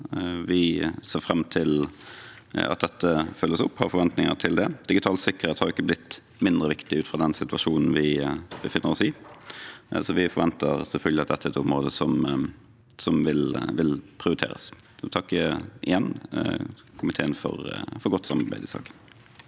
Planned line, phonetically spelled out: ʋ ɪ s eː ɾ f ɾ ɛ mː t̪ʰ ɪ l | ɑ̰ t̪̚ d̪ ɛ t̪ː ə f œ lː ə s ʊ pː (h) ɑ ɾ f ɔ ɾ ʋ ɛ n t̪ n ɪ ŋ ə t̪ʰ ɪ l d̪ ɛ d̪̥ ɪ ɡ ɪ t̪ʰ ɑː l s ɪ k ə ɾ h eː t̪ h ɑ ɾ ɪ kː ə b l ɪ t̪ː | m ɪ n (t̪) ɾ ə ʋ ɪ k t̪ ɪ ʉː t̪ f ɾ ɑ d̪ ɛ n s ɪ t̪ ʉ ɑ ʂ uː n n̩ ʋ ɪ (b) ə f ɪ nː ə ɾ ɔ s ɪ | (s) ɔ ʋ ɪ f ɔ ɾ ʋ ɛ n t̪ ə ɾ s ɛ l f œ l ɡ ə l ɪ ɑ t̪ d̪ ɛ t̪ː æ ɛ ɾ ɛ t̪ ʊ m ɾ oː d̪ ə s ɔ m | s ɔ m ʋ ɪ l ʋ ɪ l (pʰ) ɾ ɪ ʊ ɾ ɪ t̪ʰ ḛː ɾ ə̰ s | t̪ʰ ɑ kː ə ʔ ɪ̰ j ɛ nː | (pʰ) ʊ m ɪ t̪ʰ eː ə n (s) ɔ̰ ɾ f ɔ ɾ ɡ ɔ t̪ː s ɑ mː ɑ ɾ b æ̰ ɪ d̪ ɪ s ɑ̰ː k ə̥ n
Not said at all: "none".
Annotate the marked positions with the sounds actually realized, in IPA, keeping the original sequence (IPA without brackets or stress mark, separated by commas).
h, d̪, b, s, pʰ, kʰ, f